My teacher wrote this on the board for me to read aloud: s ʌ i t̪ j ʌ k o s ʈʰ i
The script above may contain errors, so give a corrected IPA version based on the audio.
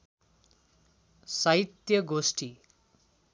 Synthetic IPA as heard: s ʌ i t̪ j ʌ ɡ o s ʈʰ i